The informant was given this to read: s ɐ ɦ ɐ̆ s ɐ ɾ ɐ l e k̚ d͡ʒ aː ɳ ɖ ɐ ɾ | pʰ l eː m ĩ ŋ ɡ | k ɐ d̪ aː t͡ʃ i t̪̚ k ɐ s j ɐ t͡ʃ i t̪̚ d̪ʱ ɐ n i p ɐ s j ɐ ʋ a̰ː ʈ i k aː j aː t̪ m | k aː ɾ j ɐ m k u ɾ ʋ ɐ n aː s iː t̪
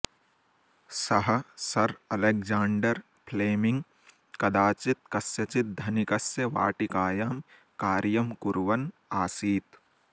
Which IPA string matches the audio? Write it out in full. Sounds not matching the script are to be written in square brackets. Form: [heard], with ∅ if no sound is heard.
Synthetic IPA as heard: s ɐ ɦ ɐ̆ s ɐ ɾ ɐ l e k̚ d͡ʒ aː ɳ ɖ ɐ ɾ | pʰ l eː m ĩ ŋ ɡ | k ɐ d̪ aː t͡ʃ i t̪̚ k ɐ s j ɐ t͡ʃ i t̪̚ d̪ʱ ɐ n i [k] ɐ s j ɐ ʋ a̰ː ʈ i k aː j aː [∅] m | k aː ɾ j ɐ m k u ɾ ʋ ɐ n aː s iː t̪